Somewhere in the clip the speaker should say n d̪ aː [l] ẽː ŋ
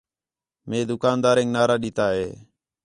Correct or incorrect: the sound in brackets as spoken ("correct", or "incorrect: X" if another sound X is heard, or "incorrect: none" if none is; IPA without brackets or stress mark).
incorrect: ɾ